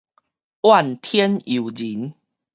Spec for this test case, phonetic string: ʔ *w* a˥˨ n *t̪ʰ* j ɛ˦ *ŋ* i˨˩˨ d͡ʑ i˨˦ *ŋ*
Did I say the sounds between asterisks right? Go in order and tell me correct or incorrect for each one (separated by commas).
correct, correct, incorrect, incorrect